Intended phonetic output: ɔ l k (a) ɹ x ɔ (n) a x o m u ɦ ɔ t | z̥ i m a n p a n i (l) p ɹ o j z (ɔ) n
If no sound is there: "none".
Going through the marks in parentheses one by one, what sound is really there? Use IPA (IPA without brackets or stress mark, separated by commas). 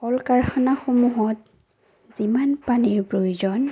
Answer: a, n, ɹ, ɔ